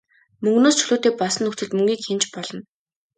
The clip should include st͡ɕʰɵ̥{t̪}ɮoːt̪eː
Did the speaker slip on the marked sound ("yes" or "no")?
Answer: yes